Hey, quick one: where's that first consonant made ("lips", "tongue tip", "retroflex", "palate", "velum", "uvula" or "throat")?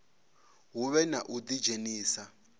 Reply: throat